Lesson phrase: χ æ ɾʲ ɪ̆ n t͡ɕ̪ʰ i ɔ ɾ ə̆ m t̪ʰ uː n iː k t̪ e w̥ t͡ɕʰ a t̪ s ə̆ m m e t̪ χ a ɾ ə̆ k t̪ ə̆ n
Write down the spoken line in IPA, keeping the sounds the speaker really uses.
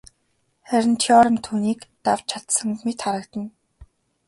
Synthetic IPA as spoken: χ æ ɾʲ ɪ̆ n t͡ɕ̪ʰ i ɔ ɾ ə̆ m t̪ʰ uː n iː k t̪ a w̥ t͡ɕʰ a t̪ s ə̆ ŋ m e t̪ χ a ɾ ə̆ k t̪ ə̆ n